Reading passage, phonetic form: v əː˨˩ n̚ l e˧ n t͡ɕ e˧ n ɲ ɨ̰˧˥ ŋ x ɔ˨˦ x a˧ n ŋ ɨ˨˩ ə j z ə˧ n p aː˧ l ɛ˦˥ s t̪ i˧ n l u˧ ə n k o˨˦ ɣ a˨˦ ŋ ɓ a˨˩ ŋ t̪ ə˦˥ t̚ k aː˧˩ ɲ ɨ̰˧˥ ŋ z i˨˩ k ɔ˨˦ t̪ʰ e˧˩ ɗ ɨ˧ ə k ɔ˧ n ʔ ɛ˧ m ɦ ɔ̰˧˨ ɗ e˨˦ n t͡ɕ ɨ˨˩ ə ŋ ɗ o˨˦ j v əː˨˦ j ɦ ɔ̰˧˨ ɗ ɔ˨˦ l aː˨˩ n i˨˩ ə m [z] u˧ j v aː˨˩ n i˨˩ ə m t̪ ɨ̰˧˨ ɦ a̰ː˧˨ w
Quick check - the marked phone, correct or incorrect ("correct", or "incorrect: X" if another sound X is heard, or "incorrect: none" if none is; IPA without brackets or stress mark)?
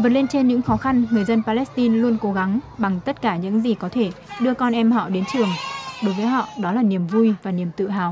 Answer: incorrect: v